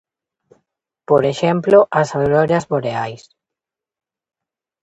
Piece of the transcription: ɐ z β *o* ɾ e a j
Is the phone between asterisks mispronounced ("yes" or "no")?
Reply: no